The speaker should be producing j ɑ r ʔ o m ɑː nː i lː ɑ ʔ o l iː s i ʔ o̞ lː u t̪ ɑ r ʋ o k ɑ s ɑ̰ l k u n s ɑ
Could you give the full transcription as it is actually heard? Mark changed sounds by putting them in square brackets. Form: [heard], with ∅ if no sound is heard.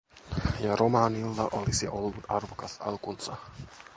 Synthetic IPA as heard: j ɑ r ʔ o m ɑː [n] i lː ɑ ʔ o l [i] s i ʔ o̞ lː u t̪ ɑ r ʋ o k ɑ s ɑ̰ l k u n s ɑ

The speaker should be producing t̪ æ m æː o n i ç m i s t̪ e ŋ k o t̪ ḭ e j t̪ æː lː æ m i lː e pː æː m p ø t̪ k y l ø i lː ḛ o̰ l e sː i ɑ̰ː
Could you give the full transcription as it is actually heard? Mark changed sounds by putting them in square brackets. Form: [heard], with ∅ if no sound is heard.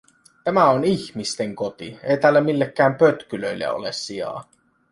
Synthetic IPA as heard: t̪ æ m [æ] o n i ç m i s t̪ e ŋ k o t̪ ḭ e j t̪ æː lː æ m i lː e [kː] æː m p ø t̪ k y l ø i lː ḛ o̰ l e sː i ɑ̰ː

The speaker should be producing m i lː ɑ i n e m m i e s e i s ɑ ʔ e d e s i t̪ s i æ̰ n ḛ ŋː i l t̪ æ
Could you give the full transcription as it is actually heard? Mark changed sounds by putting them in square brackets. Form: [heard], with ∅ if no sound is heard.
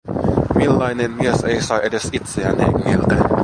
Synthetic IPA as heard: m i lː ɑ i n e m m i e s e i s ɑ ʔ e d e s i t̪ s [e] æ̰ n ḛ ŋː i l t̪ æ

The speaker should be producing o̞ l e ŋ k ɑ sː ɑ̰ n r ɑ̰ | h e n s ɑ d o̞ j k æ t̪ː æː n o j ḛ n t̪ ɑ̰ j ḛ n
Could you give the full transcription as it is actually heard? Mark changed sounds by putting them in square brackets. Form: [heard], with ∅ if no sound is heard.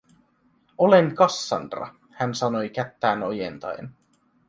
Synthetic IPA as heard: o̞ l e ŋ k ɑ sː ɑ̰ n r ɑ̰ | h [æ] n s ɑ [n] o̞ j k æ t̪ː æː n o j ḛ n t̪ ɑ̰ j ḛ n

